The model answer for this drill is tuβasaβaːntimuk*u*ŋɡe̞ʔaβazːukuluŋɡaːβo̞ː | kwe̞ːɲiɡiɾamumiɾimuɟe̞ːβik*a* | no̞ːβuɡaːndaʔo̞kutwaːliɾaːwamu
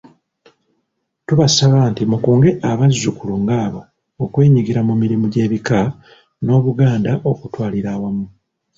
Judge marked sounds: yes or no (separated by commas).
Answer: no, yes